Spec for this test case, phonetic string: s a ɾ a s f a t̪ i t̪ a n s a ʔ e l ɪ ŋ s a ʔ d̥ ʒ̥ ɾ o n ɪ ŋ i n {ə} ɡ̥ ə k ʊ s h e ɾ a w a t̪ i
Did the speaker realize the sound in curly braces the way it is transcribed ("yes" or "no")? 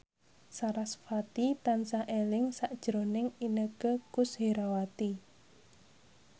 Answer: yes